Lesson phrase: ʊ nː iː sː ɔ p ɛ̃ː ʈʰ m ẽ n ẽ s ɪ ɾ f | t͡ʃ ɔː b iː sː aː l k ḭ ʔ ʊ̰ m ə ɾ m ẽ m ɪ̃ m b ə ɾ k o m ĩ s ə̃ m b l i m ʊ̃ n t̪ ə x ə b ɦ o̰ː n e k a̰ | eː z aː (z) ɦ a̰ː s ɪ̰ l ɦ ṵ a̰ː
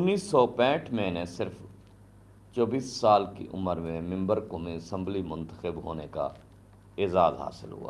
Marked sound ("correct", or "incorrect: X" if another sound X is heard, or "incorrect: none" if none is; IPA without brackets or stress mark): correct